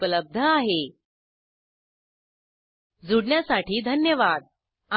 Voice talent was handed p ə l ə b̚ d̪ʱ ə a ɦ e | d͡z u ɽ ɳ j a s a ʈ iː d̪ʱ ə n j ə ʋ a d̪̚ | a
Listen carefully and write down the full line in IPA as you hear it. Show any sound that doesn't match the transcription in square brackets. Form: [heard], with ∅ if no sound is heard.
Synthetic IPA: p ə l ə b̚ d̪ʱ ə a ɦ e | d͡z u ɽ ɳ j a s a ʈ iː d̪ʱ ə n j ə ʋ a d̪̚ | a